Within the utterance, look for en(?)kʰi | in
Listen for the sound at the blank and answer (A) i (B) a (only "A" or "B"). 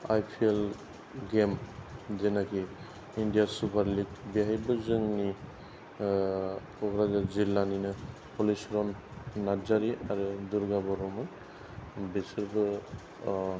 B